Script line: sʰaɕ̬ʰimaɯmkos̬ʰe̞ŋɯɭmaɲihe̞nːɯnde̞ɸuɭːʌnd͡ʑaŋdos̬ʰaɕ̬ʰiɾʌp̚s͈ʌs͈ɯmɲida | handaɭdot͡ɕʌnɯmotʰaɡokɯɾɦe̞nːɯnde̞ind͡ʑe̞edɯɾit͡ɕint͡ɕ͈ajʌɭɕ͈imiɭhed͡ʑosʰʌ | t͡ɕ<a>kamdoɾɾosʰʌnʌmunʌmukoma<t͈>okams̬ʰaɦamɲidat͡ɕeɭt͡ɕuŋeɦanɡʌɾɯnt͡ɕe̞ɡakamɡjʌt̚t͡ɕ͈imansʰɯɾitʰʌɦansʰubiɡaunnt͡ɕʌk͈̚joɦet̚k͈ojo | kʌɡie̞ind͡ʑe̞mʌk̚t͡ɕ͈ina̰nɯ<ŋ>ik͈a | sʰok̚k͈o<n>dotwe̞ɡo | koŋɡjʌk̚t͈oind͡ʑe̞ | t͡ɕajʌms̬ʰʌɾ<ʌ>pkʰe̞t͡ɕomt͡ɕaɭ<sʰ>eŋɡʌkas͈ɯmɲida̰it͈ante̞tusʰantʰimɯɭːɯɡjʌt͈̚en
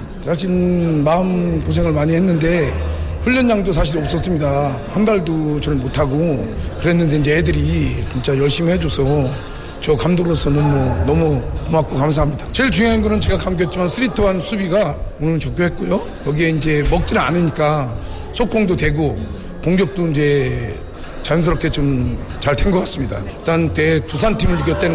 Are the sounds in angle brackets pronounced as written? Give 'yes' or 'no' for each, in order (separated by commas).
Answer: no, no, no, no, yes, no